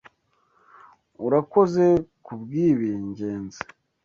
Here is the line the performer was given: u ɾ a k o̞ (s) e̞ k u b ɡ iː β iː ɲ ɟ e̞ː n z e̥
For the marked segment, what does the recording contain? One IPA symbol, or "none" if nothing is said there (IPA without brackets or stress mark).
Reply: z